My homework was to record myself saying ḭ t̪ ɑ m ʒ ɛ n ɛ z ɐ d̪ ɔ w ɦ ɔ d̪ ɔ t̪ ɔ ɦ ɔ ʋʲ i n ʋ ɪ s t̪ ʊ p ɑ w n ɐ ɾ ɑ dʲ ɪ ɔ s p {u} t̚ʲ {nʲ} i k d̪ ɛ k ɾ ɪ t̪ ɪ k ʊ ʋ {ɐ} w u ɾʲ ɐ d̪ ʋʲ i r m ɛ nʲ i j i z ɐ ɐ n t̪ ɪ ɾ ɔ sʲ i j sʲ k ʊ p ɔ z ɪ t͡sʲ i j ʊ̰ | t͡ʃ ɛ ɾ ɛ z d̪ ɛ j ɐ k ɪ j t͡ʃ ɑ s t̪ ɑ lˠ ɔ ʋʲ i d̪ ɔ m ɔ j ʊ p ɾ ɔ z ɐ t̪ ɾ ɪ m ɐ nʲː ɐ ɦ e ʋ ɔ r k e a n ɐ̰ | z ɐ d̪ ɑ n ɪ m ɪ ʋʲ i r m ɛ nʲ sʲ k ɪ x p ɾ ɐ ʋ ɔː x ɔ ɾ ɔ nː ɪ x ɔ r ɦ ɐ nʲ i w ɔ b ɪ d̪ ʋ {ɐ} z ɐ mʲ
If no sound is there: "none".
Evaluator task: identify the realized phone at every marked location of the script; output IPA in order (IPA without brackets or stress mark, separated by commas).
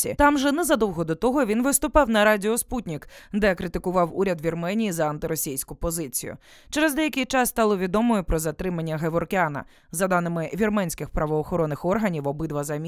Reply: u, nʲ, ɑ, ɐ